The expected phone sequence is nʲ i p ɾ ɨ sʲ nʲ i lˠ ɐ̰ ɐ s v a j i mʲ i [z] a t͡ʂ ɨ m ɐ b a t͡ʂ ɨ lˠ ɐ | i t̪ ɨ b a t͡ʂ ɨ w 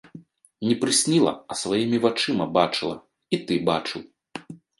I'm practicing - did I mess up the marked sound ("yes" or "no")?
yes